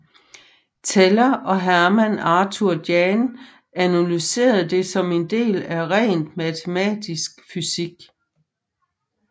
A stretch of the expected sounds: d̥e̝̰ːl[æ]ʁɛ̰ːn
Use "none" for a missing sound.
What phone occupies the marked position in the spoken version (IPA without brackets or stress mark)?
æ